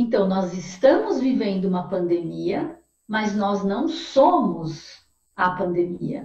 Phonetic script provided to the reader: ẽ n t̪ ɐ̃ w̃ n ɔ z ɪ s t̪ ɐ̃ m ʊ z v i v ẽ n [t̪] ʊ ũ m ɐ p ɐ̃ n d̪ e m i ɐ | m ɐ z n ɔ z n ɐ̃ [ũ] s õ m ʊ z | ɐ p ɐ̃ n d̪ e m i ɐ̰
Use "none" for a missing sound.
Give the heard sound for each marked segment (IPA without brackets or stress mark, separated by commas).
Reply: d̪, w̃